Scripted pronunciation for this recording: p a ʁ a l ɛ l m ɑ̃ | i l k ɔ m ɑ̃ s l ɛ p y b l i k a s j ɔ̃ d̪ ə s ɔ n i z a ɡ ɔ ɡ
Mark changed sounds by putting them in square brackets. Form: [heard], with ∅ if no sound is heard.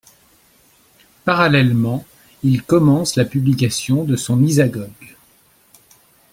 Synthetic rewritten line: p a ʁ a l ɛ l m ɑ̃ | i l k ɔ m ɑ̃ s l [a] p y b l i k a s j ɔ̃ d̪ ə s [ɔ̃] n i z a ɡ ɔ ɡ